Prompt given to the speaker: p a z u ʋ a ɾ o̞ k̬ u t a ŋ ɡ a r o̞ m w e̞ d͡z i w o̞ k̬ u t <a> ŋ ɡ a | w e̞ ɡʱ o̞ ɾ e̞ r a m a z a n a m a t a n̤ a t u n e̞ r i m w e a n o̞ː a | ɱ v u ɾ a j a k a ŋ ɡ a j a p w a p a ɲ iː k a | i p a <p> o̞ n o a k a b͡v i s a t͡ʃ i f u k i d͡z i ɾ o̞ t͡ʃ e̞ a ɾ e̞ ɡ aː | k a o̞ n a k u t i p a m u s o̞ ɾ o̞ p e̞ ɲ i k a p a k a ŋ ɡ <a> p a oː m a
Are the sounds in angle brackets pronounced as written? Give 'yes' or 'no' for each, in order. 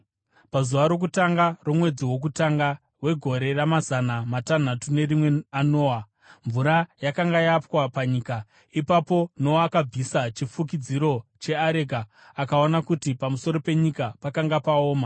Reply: yes, yes, yes

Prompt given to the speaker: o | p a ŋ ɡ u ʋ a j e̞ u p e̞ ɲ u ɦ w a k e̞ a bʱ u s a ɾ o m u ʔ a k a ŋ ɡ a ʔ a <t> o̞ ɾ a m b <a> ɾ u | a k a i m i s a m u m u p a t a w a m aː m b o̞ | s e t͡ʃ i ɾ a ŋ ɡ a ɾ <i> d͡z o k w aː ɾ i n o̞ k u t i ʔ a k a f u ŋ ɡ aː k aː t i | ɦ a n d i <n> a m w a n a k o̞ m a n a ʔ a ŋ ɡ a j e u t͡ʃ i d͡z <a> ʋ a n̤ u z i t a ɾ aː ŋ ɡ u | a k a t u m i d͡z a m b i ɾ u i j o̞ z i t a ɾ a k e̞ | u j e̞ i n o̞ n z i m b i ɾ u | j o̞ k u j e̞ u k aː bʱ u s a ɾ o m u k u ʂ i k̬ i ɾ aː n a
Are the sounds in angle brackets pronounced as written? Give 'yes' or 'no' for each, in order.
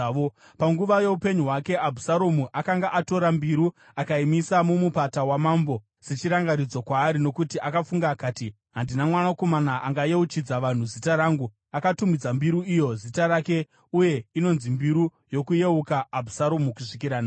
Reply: yes, no, yes, yes, yes

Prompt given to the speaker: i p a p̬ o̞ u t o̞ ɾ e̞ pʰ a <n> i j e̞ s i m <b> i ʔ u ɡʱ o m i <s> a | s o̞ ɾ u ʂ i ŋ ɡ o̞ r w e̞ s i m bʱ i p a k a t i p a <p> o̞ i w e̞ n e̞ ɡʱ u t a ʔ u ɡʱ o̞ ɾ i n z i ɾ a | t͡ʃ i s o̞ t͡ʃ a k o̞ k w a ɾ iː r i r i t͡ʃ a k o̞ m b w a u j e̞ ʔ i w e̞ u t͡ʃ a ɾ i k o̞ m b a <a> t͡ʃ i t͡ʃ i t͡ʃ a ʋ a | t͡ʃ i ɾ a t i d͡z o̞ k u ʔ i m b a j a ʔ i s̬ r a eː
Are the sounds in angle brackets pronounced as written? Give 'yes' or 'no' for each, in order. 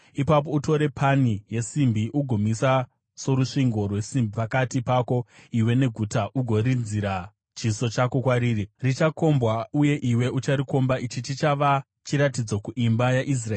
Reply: yes, yes, yes, no, no

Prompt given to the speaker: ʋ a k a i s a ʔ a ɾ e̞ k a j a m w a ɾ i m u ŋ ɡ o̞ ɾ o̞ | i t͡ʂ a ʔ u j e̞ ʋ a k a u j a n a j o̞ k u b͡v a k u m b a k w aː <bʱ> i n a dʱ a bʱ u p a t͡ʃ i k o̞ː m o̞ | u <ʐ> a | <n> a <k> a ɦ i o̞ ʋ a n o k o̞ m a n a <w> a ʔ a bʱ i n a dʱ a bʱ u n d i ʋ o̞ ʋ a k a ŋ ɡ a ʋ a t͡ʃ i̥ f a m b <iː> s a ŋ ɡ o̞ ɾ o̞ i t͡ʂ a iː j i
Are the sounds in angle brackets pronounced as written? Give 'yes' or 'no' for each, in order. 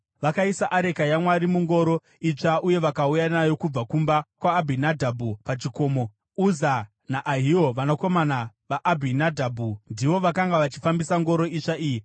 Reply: yes, no, yes, no, no, no

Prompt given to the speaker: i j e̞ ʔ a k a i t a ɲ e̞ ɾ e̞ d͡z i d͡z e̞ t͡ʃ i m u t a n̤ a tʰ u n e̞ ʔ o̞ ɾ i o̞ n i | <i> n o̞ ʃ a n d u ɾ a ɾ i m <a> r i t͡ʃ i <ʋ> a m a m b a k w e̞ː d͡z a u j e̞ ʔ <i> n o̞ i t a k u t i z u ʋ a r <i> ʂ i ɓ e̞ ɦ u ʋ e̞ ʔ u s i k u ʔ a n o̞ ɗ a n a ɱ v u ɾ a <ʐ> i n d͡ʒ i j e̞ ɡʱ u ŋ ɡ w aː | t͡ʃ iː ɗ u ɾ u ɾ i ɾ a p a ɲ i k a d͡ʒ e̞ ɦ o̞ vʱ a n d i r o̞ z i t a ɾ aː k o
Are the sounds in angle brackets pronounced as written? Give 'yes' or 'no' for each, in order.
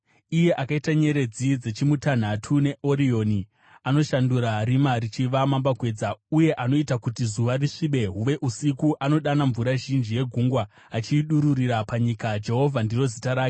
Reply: no, yes, yes, no, yes, no

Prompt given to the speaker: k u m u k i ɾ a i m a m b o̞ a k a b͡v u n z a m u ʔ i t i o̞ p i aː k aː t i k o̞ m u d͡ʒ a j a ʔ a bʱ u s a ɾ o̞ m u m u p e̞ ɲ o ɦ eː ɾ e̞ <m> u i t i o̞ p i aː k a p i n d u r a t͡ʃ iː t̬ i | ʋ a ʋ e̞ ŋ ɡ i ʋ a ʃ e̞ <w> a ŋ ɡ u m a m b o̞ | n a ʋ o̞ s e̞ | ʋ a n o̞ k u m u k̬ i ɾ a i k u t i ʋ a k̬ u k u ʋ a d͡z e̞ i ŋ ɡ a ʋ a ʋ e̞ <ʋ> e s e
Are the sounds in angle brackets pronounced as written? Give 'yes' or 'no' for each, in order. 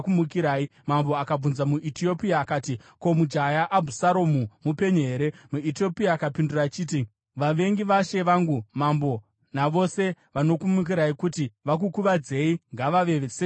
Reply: yes, no, yes

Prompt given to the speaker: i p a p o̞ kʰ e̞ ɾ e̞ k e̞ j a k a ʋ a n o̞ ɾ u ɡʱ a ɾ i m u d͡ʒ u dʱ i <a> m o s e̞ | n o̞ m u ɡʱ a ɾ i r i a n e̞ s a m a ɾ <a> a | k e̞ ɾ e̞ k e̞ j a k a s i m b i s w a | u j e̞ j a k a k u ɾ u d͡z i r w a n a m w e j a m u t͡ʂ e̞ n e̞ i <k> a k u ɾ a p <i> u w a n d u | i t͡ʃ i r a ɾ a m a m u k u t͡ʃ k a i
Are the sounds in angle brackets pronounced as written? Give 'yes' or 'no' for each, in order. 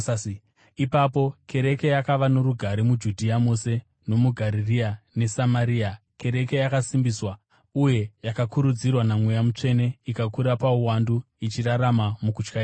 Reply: yes, no, yes, no

